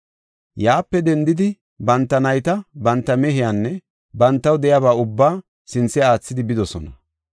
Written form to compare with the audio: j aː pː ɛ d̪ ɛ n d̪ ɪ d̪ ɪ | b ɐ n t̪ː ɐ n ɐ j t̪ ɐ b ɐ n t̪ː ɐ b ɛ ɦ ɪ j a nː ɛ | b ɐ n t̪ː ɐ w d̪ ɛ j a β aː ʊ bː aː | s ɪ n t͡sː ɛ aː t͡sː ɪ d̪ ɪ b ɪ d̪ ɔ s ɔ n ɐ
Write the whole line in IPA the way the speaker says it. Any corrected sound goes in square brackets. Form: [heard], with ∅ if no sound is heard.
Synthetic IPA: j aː pː ɛ d̪ ɛ n d̪ ɪ d̪ ɪ | b ɐ n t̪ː ɐ n ɐ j t̪ ɐ b ɐ n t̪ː ɐ [m] ɛ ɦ ɪ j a nː ɛ | b ɐ n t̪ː ɐ w d̪ ɛ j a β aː ʊ bː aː | s ɪ n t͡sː ɛ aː t͡sː ɪ d̪ ɪ b ɪ d̪ ɔ s ɔ n ɐ